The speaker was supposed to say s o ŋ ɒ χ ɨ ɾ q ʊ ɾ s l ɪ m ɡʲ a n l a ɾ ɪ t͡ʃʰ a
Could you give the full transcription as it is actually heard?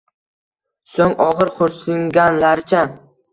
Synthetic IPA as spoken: s o ŋ ɒ ʁ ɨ ɾ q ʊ ɾ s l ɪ ŋ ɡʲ a n l a ɾ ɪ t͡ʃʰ a